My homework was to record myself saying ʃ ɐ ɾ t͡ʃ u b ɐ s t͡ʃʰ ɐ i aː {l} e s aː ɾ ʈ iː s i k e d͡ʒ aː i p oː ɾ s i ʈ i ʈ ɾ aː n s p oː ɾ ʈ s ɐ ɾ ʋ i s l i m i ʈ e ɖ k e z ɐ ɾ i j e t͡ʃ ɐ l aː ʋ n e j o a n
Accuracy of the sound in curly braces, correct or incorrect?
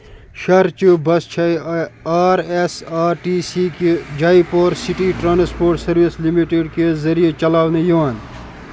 incorrect